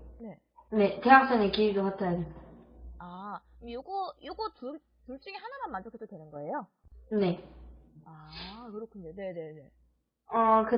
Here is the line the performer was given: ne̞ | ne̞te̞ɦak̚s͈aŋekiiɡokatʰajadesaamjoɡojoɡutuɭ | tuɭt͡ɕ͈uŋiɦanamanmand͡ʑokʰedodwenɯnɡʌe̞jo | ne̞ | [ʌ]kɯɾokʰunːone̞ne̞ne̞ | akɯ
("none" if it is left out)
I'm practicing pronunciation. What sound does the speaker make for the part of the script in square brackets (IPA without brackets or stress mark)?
a